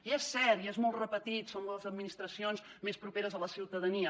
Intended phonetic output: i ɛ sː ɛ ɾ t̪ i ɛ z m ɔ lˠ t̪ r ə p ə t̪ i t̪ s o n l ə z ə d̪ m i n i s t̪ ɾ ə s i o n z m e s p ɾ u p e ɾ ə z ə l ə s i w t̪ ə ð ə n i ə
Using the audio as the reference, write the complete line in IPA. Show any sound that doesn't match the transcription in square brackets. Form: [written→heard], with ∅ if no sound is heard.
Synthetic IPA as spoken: i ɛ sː ɛ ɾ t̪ i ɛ z m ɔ lˠ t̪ r ə p ə t̪ i t̪ s o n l ə z ə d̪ m i n i s t̪ ɾ ə s i o n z m e s p ɾ u p e ɾ ə z ə l ə s i w t̪ ə ð ə n i ə